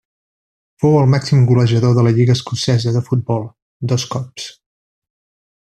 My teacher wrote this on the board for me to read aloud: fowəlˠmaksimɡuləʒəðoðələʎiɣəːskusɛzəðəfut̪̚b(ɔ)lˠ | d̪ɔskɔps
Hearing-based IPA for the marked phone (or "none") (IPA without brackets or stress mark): ɔ